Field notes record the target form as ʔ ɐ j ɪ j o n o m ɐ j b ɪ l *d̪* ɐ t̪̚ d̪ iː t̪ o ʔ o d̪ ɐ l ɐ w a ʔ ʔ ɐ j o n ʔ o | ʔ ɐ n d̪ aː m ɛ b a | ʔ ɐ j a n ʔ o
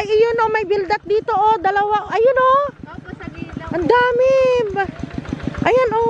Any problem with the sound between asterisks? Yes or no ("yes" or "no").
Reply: no